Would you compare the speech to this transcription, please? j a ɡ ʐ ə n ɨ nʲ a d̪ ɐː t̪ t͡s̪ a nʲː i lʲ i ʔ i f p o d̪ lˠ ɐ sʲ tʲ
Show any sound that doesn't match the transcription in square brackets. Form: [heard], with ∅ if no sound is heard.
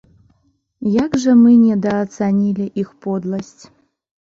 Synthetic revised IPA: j a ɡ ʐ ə [m] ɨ nʲ [ɛ] d̪ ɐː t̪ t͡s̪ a [nʲ] i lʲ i ʔ i [x] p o d̪ lˠ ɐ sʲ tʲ

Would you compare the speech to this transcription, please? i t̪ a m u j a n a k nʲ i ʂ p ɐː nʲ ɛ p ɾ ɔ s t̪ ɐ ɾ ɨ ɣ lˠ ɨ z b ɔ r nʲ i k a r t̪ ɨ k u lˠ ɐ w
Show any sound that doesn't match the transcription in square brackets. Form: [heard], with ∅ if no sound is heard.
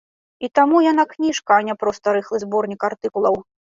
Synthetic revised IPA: i t̪ a m u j a n a k nʲ i ʂ [k] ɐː nʲ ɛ p ɾ ɔ s t̪ ɐ ɾ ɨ [x] lˠ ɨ z b ɔ r nʲ i k a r t̪ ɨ k u lˠ ɐ w

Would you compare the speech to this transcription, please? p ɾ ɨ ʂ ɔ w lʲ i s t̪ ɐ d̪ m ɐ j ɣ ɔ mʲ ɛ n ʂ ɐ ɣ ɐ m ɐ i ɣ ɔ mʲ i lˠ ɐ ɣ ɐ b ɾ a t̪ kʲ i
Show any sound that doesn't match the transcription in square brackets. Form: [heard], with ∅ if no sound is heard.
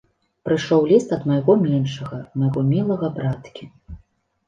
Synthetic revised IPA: p ɾ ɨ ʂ ɔ w lʲ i s t̪ ɐ d̪ m ɐ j ɣ ɔ mʲ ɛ n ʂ ɐ ɣ ɐ m ɐ [j] ɣ ɔ mʲ i lˠ ɐ ɣ ɐ b ɾ a t̪ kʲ i

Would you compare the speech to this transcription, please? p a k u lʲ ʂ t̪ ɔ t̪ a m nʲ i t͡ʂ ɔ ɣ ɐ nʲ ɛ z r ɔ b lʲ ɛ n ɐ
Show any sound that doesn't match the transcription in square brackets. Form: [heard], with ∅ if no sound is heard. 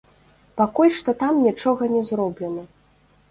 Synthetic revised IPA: p a k u lʲ ʂ t̪ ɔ t̪ a m nʲ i t͡ʂ ɔ ɣ ɐ nʲ ɛ z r ɔ b lʲ ɛ n ɐ

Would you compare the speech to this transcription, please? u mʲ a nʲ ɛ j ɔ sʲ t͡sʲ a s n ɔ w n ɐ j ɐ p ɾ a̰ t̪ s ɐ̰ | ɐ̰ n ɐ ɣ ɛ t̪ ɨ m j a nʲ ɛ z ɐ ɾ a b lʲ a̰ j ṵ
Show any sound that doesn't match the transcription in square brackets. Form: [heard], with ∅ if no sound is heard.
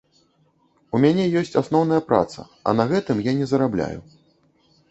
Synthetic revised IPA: u mʲ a nʲ ɛ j ɔ sʲ t͡sʲ a s n ɔ w n ɐ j ɐ p ɾ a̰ t̪ s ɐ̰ | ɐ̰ n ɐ ɣ ɛ t̪ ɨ m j a nʲ ɛ z ɐ ɾ a b lʲ a̰ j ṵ

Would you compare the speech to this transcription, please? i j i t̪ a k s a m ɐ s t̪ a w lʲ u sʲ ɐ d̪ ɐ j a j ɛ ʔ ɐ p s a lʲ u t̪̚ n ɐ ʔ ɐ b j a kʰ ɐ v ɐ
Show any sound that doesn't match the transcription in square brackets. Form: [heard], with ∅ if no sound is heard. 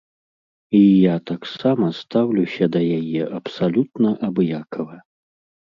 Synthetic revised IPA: i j [a] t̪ a k s a m ɐ s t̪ a w lʲ u sʲ ɐ d̪ ɐ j a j ɛ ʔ ɐ p s a lʲ u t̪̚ n ɐ ʔ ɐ b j a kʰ ɐ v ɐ

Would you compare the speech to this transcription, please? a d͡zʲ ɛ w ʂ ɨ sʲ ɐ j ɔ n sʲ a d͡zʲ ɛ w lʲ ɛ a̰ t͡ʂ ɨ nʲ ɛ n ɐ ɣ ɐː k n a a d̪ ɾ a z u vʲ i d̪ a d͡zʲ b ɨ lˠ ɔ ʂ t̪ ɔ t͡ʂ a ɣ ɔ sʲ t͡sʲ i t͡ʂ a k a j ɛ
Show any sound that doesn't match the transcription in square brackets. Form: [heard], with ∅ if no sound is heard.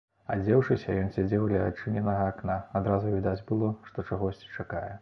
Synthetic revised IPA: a d͡zʲ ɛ w ʂ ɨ sʲ ɐ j ɔ n sʲ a d͡zʲ ɛ w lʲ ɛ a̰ t͡ʂ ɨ nʲ ɛ n ɐ ɣ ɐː k n a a d̪ ɾ a z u vʲ i d̪ a d͡zʲ b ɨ lˠ ɔ ʂ t̪ ɔ t͡ʂ a ɣ ɔ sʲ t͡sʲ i t͡ʂ a k a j ɛ

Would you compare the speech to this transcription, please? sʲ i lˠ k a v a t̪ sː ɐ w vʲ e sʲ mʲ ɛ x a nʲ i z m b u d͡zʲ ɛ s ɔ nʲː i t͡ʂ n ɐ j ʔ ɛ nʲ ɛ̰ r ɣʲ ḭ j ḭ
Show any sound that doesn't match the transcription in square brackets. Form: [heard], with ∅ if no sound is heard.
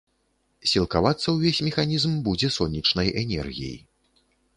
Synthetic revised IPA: sʲ i lˠ k a v a t̪ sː ɐ w vʲ e sʲ mʲ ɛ x a nʲ i z m b u d͡zʲ ɛ s ɔ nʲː i t͡ʂ n ɐ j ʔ ɛ nʲ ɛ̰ r ɣʲ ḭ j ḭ

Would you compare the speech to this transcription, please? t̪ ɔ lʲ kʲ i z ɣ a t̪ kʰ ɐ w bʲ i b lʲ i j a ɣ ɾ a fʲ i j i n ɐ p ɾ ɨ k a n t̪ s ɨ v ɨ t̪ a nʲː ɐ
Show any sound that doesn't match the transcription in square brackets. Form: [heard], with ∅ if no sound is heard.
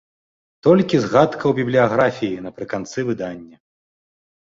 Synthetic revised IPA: t̪ ɔ lʲ kʲ i z ɣ a t̪ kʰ ɐ w bʲ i b lʲ i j a ɣ ɾ a fʲ i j i n ɐ p ɾ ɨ k a n t̪ s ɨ v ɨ [d̪] a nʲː ɐ

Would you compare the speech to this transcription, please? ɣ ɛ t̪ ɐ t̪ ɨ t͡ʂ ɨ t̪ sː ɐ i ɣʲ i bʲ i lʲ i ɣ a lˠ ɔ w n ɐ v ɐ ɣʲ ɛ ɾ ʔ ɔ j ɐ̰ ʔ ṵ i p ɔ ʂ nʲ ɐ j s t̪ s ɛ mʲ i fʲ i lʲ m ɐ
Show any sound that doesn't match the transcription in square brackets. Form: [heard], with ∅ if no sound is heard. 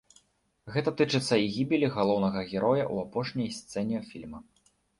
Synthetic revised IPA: ɣ ɛ t̪ ɐ t̪ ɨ t͡ʂ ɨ t̪ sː ɐ i ɣʲ i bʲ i lʲ i ɣ a lˠ ɔ w n ɐ [ɣ] ɐ ɣʲ ɛ ɾ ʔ ɔ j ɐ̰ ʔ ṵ [a] p ɔ ʂ nʲ ɐ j s t̪ s ɛ [nʲ] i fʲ i lʲ m ɐ

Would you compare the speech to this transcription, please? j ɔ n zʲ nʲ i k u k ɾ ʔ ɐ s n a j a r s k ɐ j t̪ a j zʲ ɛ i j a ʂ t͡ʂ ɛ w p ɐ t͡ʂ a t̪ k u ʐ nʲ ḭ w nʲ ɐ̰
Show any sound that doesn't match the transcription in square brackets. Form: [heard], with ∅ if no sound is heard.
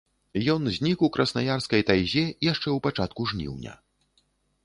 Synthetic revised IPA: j ɔ n zʲ nʲ i k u k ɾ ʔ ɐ s n a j a r s k ɐ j t̪ a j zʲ ɛ i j a ʂ t͡ʂ ɛ w p [a] t͡ʂ a t̪ k u ʐ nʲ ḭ w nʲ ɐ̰

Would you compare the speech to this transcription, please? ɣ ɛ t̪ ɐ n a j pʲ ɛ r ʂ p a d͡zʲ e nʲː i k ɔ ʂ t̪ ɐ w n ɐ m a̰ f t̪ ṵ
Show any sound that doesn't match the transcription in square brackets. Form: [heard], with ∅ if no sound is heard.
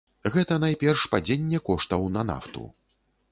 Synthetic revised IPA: ɣ ɛ t̪ ɐ n a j pʲ ɛ r ʂ p a d͡zʲ e nʲː [ɛ] k ɔ ʂ t̪ ɐ w n ɐ [n] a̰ f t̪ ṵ

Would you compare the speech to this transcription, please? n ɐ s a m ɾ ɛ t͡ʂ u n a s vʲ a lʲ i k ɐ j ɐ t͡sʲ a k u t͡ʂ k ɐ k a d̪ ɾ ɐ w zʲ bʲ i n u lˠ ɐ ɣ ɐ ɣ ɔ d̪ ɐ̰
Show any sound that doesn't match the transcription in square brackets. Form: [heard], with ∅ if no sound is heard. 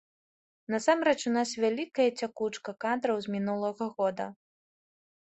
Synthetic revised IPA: n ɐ s a m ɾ ɛ t͡ʂ u n a s vʲ a lʲ i k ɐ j ɐ t͡sʲ a k u t͡ʂ k ɐ k a d̪ ɾ ɐ w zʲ [mʲ] i n u lˠ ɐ ɣ ɐ ɣ ɔ d̪ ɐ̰

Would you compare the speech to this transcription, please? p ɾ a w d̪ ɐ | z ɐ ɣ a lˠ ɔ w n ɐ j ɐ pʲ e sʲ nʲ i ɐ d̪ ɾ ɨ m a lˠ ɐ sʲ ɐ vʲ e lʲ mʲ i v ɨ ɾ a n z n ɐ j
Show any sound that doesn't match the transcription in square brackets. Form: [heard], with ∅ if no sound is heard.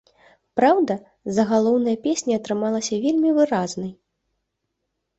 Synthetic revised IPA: p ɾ a w d̪ ɐ | z ɐ ɣ a lˠ ɔ w n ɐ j ɐ pʲ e sʲ nʲ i ɐ [t̪] ɾ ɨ m a lˠ ɐ sʲ ɐ vʲ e lʲ mʲ i v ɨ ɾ a [∅] z n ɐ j

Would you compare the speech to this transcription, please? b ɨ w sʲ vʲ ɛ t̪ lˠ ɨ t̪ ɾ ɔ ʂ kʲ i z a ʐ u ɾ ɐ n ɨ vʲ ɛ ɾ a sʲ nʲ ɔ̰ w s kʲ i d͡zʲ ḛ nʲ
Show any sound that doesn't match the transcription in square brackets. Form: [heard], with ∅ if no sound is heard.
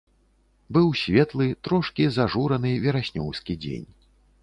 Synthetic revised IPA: b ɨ w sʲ vʲ ɛ t̪ lˠ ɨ t̪ ɾ ɔ ʂ kʲ i z a ʐ u ɾ ɐ n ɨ vʲ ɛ ɾ a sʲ nʲ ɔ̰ w s kʲ i d͡zʲ ḛ nʲ

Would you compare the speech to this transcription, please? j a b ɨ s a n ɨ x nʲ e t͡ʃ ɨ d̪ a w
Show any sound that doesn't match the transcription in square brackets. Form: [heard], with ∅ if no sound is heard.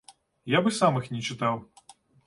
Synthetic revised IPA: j a b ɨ s a [m] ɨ x nʲ [ɛ] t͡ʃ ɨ [t̪] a w

